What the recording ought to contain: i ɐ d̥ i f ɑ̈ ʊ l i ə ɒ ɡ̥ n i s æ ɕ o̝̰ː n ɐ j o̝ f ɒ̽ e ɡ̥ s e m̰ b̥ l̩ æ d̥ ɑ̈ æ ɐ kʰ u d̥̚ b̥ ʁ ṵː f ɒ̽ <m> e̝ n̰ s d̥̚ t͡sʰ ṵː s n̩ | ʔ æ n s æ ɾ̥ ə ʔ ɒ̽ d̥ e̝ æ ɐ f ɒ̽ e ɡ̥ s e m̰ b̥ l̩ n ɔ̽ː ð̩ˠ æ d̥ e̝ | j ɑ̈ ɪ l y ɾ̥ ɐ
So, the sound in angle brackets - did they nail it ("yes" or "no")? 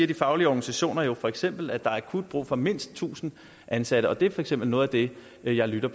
yes